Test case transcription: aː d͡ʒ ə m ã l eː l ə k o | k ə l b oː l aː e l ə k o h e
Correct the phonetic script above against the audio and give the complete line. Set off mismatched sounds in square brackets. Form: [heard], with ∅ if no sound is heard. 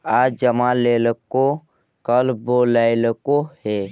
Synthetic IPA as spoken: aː d͡ʒ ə m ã l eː l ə k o | k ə l b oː l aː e l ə k o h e